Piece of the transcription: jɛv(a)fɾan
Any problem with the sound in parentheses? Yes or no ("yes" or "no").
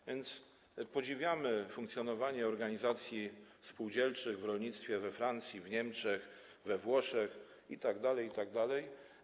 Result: yes